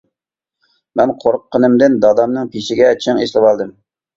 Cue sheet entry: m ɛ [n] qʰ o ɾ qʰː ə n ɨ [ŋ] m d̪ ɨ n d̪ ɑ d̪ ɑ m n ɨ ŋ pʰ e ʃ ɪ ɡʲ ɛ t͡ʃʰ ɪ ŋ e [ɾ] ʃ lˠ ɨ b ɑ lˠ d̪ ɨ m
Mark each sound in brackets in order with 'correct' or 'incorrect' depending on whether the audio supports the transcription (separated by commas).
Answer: correct, incorrect, incorrect